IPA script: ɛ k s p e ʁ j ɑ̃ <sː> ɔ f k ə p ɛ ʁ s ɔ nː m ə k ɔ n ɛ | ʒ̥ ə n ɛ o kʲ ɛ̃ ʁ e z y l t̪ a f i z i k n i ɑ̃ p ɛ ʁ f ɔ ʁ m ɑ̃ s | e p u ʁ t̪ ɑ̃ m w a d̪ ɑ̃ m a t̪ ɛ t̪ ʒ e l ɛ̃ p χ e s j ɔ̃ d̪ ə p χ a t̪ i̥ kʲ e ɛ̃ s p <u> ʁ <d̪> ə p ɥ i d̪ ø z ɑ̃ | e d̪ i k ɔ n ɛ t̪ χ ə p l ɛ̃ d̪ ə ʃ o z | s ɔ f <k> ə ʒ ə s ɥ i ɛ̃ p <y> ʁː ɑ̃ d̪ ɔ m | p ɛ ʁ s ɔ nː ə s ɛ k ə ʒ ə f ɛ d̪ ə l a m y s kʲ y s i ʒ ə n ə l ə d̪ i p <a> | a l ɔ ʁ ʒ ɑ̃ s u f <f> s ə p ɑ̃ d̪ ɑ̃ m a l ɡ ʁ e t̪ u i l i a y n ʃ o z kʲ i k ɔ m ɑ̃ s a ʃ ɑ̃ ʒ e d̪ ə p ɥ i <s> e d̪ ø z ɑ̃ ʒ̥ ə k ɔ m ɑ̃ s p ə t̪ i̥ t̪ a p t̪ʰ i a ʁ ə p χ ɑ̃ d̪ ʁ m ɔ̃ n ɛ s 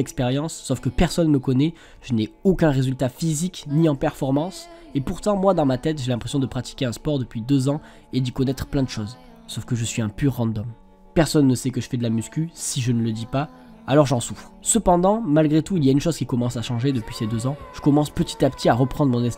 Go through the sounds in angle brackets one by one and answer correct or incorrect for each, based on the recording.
correct, incorrect: ɔ, correct, correct, correct, correct, incorrect: χ, correct

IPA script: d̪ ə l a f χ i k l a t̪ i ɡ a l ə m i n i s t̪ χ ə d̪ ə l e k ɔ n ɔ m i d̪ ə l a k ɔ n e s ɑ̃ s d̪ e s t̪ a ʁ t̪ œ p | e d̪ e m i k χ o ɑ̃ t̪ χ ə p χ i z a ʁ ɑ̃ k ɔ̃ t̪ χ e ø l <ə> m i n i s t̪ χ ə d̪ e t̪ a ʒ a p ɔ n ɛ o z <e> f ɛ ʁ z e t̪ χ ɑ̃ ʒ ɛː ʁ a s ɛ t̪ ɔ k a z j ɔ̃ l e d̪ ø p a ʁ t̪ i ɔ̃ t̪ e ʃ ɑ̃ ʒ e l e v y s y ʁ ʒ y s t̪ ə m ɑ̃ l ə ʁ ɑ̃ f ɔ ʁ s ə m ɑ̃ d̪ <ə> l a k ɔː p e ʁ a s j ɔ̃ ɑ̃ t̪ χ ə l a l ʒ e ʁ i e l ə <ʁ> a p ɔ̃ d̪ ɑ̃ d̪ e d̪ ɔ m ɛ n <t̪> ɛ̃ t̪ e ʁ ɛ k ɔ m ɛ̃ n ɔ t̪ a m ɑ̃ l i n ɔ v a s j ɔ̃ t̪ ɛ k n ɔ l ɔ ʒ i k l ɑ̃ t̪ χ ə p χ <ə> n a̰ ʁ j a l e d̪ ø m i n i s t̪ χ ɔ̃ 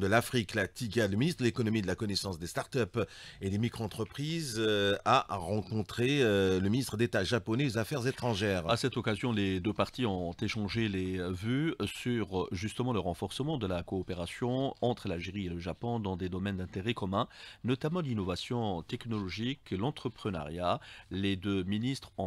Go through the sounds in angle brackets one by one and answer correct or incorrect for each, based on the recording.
correct, incorrect: a, correct, incorrect: ʒ, incorrect: d̪, correct

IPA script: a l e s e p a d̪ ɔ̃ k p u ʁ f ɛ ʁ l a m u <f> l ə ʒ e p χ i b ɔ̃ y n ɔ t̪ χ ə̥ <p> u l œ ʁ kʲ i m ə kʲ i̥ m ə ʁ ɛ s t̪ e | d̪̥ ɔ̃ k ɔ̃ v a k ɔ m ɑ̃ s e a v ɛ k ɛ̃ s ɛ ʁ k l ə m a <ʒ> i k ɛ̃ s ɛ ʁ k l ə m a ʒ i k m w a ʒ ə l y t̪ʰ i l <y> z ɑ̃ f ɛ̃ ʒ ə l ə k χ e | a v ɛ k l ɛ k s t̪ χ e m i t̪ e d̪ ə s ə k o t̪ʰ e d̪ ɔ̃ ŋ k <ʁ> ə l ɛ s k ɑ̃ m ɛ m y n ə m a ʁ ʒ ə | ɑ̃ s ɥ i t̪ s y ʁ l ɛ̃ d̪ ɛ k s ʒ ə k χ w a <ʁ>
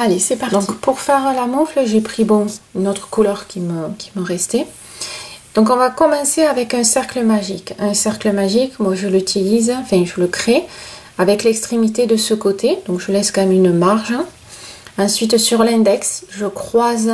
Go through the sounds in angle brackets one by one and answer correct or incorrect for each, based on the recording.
correct, incorrect: k, correct, incorrect: i, incorrect: ʒ, incorrect: z

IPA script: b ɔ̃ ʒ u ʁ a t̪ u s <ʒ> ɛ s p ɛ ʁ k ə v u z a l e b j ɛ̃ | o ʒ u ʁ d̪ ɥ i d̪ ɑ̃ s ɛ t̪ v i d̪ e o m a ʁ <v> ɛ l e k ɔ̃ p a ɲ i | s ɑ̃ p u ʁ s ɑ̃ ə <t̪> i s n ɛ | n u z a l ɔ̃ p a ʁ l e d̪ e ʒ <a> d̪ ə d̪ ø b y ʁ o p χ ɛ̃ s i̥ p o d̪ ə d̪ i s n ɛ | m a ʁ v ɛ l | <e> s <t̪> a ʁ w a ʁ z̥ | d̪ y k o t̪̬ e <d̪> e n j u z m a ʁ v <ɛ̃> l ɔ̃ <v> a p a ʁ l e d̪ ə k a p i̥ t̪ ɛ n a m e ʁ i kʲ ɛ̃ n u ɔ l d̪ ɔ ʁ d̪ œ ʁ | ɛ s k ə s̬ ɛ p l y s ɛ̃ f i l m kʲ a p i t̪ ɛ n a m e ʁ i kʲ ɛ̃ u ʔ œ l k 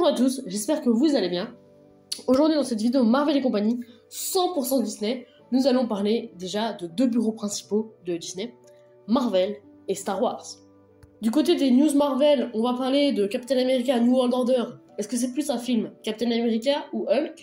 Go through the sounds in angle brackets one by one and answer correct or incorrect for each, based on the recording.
correct, correct, incorrect: d̪, correct, correct, correct, correct, incorrect: ɛ, correct

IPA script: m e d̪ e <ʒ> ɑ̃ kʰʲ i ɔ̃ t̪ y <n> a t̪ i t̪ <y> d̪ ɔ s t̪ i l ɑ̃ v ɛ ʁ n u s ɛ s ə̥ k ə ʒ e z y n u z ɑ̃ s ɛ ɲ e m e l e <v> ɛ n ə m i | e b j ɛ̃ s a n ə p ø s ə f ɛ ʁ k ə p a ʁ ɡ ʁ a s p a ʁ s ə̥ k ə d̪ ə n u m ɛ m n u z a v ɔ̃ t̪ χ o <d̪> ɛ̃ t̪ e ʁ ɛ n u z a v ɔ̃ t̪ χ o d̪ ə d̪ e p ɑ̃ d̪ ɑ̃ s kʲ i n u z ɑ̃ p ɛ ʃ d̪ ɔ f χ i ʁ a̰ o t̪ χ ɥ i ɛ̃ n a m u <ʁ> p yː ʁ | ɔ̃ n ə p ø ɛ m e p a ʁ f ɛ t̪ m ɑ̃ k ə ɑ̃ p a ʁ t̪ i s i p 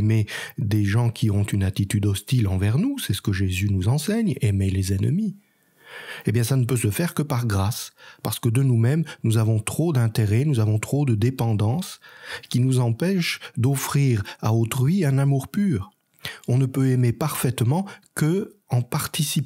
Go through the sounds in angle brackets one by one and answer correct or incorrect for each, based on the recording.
correct, correct, correct, incorrect: z, correct, correct

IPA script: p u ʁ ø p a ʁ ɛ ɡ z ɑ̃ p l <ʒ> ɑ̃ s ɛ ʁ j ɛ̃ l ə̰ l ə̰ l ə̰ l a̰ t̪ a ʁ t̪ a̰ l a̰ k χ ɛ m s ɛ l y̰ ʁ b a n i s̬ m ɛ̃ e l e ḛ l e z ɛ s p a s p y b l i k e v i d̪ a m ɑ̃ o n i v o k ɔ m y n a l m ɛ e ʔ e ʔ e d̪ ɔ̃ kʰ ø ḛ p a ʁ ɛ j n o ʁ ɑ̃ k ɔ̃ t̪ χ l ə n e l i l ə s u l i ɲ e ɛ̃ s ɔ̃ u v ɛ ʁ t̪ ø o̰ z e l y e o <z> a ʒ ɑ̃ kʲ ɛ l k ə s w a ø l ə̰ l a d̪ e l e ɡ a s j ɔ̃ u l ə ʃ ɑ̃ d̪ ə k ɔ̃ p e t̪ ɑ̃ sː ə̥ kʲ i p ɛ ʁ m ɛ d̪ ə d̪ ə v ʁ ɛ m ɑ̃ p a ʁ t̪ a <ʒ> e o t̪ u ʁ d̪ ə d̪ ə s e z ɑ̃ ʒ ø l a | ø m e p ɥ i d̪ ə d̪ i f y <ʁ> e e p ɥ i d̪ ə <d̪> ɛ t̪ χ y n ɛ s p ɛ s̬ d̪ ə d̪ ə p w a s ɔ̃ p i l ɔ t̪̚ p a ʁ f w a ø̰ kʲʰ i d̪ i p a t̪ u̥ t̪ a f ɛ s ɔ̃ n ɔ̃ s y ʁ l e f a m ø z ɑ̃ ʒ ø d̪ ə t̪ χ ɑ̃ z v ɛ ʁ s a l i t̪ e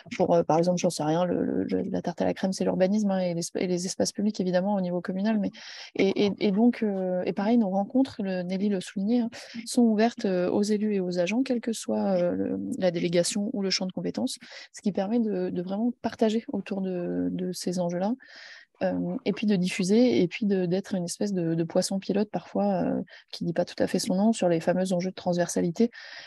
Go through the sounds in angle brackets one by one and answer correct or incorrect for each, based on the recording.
correct, correct, correct, incorrect: z, correct

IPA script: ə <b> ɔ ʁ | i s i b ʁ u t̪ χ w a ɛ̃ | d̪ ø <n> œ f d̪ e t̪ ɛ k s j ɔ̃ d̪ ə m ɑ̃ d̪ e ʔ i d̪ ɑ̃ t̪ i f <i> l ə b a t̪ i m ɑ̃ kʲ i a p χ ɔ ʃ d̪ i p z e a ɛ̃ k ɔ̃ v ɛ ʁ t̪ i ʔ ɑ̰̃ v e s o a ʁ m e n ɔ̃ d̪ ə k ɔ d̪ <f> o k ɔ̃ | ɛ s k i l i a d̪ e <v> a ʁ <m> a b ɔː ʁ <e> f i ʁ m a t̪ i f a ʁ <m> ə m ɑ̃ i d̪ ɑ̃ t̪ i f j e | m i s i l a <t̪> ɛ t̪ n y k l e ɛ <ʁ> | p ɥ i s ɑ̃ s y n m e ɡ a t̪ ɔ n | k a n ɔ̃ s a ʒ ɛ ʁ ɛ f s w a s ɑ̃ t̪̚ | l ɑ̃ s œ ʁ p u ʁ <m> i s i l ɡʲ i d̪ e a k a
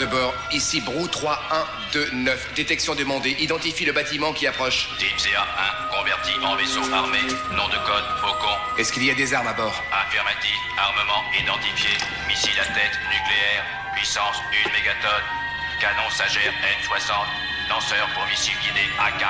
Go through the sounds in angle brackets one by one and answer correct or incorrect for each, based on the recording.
correct, correct, correct, correct, incorrect: z, correct, incorrect: a, correct, correct, correct, correct

